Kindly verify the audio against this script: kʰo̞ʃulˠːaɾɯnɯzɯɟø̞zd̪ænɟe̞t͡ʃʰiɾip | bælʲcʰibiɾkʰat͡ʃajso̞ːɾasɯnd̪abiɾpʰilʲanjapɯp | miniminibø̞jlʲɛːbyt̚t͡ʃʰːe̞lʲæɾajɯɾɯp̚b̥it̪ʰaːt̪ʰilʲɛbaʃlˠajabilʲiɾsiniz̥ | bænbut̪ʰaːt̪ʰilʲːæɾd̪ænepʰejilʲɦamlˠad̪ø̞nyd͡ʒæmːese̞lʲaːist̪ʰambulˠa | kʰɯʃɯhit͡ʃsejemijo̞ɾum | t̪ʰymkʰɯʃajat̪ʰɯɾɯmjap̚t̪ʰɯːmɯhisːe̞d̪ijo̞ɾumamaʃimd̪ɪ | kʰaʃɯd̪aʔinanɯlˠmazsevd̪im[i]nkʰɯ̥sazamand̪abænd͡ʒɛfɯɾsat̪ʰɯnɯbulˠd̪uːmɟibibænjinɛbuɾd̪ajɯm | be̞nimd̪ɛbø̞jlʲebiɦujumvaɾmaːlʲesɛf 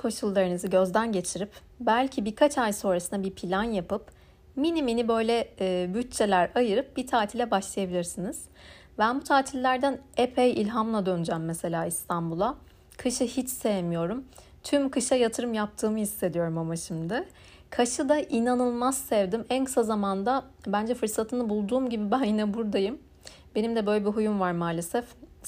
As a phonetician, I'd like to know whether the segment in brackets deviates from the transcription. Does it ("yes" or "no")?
yes